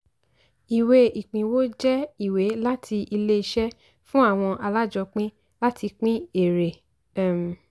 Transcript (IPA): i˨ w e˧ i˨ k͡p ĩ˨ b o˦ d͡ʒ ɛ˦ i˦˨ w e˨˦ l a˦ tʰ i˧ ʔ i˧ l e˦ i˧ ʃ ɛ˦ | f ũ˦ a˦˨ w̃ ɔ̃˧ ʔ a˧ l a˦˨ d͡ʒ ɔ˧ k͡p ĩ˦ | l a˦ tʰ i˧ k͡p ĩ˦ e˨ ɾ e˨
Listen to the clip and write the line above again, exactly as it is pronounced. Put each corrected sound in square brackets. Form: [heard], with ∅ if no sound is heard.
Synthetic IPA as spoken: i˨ w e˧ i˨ k͡p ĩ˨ [w] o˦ d͡ʒ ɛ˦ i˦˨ w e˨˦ l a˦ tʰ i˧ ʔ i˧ l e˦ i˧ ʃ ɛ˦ | f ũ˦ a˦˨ w̃ ɔ̃˧ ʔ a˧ l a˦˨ d͡ʒ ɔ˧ k͡p ĩ˦ | l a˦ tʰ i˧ k͡p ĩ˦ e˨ ɾ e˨

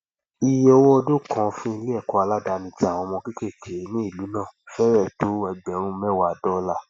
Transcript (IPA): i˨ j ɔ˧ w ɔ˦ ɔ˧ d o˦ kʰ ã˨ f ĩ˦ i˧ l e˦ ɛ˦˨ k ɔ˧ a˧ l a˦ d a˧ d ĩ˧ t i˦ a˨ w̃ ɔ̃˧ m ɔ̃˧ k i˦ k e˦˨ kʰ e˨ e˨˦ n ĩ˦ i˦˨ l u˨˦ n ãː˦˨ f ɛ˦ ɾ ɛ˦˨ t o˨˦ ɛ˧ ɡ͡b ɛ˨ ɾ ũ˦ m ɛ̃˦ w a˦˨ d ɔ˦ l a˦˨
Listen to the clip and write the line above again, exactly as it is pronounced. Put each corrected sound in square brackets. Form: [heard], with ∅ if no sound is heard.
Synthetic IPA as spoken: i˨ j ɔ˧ w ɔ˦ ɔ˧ d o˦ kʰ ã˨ f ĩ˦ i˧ l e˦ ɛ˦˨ k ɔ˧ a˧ l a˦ d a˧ [n] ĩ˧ t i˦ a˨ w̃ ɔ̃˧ m ɔ̃˧ k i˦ k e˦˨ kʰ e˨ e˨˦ n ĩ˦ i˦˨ l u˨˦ n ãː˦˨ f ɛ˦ ɾ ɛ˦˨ t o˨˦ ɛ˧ ɡ͡b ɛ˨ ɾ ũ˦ m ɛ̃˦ w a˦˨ d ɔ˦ l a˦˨

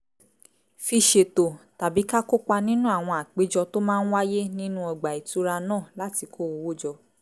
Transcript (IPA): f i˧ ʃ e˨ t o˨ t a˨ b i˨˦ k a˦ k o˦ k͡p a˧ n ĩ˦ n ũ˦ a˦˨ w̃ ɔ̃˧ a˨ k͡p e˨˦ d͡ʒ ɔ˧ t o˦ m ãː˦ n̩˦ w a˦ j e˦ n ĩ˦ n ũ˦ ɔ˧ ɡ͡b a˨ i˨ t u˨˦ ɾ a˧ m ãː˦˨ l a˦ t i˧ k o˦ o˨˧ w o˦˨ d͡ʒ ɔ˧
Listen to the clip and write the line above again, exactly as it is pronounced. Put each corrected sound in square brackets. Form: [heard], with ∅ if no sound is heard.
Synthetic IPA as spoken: f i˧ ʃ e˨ t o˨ t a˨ b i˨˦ k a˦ k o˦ k͡p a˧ n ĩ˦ n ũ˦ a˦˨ w̃ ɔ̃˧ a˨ k͡p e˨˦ d͡ʒ ɔ˧ t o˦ m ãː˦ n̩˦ w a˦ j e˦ n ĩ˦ n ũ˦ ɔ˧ ɡ͡b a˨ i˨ t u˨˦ ɾ a˧ [n] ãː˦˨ l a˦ t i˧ k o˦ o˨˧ w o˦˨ d͡ʒ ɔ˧

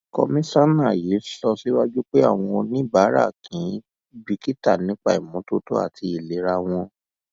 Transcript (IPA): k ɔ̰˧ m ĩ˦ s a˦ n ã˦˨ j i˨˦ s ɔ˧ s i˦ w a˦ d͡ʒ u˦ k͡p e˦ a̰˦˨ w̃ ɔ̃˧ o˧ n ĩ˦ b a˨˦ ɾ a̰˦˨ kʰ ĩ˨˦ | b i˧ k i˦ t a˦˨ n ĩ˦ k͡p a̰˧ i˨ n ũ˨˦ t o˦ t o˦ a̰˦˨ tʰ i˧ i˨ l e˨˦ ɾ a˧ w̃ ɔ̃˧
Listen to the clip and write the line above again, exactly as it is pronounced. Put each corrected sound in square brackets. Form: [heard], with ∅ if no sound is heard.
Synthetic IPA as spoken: k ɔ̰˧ m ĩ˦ s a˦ n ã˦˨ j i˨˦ s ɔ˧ s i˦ w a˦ d͡ʒ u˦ k͡p e˦ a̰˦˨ w̃ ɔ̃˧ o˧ n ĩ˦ b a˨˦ ɾ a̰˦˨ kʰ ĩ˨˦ | b i˧ k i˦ t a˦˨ n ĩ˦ k͡p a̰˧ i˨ [m] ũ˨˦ t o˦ t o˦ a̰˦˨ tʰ i˧ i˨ l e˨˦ ɾ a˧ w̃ ɔ̃˧

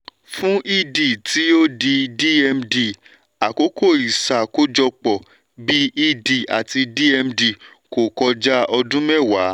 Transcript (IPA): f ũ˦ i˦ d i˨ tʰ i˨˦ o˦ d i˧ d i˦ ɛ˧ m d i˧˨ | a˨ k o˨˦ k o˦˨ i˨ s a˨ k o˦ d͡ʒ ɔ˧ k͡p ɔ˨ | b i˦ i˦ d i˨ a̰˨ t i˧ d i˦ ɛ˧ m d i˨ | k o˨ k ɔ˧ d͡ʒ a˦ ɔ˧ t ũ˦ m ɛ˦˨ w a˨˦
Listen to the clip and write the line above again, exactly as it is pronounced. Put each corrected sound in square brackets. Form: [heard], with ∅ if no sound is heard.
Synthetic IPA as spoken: f ũ˦ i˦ d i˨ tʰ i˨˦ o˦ d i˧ d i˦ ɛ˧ m d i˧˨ | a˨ k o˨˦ k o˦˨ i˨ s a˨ k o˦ d͡ʒ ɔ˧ k͡p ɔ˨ | b i˦ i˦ d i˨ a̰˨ t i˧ d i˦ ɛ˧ m d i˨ | k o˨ k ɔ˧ d͡ʒ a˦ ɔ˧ [d] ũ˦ m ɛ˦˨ w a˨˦

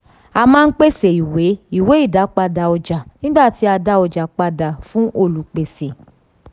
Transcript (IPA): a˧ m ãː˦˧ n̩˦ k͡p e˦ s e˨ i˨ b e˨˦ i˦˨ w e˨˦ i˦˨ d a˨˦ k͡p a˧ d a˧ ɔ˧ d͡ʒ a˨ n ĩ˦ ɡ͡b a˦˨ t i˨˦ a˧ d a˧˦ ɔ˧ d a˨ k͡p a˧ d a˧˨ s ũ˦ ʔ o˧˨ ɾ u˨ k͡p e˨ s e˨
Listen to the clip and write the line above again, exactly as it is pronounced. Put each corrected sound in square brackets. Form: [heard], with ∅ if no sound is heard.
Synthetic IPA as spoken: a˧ m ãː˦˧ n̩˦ k͡p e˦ s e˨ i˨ [w] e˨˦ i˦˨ w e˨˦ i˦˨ d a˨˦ k͡p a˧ d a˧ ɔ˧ d͡ʒ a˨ n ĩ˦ ɡ͡b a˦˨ t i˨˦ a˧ d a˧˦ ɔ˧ [d͡ʒ] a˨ k͡p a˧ d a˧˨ [f] ũ˦ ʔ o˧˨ [l] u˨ k͡p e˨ s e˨

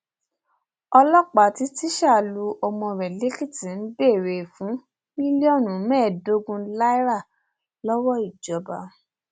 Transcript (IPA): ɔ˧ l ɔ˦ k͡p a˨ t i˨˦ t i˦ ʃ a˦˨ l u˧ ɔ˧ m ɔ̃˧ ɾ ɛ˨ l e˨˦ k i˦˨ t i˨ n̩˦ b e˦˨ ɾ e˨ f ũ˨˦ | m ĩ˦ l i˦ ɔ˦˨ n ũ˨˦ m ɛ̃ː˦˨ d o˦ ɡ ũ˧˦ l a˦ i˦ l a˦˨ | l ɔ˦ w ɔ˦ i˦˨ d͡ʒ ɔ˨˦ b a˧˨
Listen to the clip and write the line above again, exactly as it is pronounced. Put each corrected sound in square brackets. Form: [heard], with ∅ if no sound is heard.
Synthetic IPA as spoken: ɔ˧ l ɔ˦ k͡p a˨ t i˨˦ t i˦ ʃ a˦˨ l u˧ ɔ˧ m ɔ̃˧ ɾ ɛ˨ l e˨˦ k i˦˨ t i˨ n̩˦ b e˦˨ ɾ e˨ f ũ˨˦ | m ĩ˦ l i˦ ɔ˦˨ n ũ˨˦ m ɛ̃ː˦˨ d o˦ ɡ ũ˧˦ l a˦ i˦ [ɾ] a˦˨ | l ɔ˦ w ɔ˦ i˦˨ d͡ʒ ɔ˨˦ b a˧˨

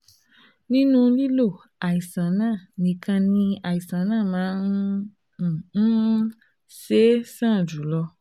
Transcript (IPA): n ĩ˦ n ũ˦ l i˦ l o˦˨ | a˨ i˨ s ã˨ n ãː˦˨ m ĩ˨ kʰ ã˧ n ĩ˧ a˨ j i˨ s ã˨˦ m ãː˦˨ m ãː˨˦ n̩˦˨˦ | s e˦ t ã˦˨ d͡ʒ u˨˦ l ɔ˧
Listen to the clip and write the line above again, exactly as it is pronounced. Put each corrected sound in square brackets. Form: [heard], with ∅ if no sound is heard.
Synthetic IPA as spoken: n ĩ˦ n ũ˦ l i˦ l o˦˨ | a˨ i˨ s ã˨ n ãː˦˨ [n] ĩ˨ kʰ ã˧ n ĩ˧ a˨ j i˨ s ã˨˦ [n] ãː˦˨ m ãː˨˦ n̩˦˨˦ | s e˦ [s] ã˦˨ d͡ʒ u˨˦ l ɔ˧

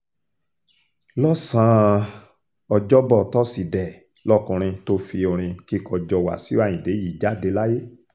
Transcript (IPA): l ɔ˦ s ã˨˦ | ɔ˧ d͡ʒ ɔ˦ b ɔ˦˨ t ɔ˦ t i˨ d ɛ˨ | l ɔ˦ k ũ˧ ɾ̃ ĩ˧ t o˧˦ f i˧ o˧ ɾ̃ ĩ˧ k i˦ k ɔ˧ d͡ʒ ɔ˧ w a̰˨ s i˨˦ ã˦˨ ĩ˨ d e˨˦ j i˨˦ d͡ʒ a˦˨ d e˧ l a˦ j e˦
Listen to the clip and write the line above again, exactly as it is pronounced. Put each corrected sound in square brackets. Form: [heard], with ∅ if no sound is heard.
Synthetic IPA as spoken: l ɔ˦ s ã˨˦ | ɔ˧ d͡ʒ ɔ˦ b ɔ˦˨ t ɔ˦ [s] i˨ d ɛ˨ | l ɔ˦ k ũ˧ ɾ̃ ĩ˧ t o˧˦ f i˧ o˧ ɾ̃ ĩ˧ k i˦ k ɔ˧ d͡ʒ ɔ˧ w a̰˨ s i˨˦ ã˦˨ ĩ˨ d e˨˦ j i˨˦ d͡ʒ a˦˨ d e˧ l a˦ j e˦

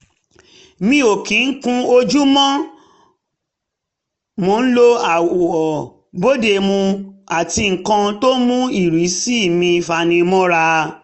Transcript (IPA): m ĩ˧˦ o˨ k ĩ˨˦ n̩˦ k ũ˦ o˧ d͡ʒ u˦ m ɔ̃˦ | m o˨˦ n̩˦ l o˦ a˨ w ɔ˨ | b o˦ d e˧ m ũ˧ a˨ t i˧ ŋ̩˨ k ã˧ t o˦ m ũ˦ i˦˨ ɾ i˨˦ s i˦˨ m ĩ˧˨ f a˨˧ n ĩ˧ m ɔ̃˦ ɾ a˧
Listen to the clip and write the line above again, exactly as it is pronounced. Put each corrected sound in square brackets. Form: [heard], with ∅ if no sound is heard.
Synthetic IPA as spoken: m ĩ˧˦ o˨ k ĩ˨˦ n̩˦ k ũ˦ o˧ d͡ʒ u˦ m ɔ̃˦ | m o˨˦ n̩˦ l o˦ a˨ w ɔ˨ | b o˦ d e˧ m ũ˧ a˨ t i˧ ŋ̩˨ k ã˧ t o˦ m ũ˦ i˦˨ ɾ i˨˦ s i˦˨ m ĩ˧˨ f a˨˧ n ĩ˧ m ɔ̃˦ ɾ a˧

